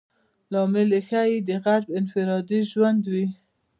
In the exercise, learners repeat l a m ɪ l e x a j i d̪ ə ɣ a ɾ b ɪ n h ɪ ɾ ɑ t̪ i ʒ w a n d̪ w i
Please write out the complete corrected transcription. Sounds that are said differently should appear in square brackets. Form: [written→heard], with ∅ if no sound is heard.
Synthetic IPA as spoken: l [a→ɑ] m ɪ l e x a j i d̪ ə ɣ a ɾ b ɪ n [h→f] ɪ ɾ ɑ [t̪→d̪] i ʒ w a n d̪ w i